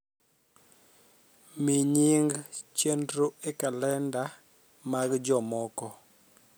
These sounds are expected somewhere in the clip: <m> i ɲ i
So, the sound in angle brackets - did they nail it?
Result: yes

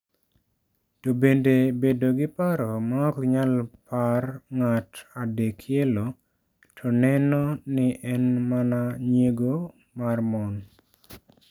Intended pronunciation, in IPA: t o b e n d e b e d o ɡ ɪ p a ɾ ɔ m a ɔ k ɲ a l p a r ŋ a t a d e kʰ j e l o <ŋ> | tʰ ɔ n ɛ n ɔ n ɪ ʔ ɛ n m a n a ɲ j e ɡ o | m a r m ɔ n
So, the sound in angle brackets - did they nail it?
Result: no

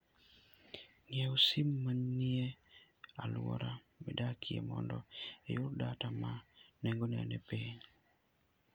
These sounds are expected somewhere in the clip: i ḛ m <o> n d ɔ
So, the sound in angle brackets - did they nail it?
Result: no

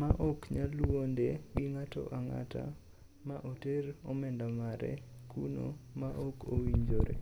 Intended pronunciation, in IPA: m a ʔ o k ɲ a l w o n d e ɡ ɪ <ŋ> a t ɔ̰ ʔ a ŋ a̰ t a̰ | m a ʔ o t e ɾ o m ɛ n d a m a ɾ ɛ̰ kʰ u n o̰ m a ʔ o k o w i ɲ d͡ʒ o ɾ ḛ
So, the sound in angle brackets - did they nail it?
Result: yes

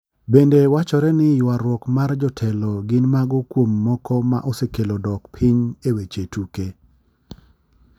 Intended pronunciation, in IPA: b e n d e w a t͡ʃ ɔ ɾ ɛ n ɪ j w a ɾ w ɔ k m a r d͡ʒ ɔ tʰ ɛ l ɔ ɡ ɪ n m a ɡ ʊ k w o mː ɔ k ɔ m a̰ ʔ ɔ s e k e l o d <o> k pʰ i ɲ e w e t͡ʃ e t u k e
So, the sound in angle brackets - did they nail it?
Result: no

